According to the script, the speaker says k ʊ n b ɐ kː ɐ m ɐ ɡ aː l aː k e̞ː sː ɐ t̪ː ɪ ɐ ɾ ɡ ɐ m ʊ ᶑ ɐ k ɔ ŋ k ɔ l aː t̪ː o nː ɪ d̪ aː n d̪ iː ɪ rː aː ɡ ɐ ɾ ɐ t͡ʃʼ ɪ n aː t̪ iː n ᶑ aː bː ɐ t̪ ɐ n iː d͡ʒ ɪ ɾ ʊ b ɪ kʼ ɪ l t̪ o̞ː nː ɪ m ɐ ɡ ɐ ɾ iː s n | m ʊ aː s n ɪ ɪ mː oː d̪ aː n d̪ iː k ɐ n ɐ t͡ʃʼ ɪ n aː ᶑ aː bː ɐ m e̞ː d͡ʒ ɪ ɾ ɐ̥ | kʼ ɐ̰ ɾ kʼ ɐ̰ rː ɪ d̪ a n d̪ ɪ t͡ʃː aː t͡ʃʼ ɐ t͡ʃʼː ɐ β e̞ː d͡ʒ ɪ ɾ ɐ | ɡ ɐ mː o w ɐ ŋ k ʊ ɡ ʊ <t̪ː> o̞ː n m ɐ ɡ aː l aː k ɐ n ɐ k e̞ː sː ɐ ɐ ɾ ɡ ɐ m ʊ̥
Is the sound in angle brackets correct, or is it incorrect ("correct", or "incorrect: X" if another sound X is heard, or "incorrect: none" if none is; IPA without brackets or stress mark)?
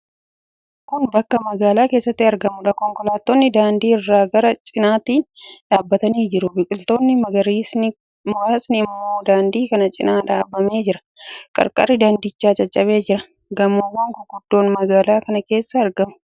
incorrect: d̪ː